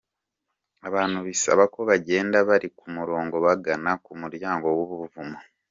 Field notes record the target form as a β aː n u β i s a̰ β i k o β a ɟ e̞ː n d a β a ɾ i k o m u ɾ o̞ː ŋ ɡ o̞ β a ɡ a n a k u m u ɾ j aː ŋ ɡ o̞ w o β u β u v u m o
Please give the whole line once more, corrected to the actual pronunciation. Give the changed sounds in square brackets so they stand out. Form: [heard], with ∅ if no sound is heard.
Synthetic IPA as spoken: a β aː n u β i s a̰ β [a] k o β a ɟ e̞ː n d a β a ɾ i k [u] m u ɾ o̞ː ŋ ɡ o̞ β a ɡ a n a k u m u ɾ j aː ŋ ɡ o̞ w o β u β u v u m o